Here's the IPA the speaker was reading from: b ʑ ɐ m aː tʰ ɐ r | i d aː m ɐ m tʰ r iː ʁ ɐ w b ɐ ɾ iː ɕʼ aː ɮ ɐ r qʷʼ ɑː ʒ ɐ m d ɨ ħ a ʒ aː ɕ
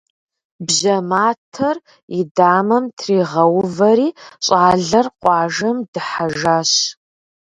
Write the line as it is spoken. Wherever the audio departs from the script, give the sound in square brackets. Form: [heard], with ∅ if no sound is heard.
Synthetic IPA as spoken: b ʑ ɐ m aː tʰ ɐ r | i d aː m ɐ m tʰ r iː ʁ ɐ w [v] ɐ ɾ iː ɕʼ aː ɮ ɐ r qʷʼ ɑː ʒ ɐ m d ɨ ħ a ʒ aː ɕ